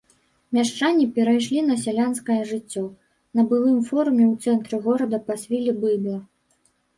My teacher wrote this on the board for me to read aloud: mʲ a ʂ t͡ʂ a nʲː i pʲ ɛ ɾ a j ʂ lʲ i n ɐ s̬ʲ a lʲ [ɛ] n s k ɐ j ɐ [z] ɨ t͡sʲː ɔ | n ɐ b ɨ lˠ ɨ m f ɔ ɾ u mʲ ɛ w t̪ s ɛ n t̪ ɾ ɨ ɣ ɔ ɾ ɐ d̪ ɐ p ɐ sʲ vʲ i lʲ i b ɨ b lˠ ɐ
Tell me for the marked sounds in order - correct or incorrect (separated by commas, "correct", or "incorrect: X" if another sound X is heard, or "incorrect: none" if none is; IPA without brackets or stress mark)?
incorrect: a, incorrect: ʐ